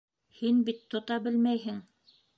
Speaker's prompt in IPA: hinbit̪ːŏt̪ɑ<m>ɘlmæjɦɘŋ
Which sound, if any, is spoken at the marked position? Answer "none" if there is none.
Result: b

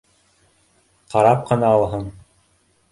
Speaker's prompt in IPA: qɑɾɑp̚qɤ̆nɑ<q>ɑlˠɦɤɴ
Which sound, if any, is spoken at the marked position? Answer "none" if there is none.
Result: none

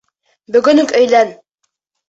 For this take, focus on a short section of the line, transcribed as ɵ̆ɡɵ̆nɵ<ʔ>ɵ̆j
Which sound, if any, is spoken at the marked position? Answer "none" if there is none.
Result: k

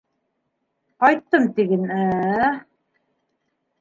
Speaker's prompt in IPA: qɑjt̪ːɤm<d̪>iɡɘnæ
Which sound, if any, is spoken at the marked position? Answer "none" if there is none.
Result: t̪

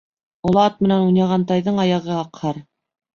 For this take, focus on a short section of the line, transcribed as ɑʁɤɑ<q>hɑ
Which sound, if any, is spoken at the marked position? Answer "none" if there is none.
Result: q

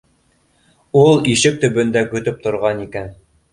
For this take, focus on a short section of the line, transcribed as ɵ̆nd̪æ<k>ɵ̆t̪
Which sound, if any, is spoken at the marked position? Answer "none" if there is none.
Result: k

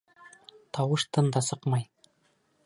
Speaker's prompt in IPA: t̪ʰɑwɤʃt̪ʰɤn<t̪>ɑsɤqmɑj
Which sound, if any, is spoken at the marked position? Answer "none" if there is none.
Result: d̪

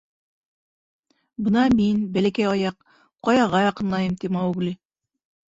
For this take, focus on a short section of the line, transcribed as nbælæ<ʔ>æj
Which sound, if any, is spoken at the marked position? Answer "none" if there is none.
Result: k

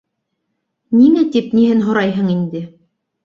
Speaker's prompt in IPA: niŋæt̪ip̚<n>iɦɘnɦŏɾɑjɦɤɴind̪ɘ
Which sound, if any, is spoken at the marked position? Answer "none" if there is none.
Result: n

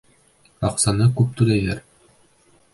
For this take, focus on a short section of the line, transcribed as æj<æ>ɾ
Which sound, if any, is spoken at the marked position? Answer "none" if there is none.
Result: æ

